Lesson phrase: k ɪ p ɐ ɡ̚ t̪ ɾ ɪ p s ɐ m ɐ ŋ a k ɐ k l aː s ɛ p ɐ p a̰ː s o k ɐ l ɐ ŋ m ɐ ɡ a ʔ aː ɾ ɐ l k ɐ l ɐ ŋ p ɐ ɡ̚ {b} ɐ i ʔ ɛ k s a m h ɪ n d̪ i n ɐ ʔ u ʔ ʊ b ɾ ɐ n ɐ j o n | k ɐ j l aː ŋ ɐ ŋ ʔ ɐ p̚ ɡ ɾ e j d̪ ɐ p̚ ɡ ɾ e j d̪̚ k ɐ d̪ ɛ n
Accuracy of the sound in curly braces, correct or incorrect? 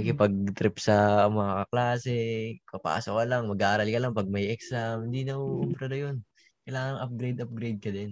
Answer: incorrect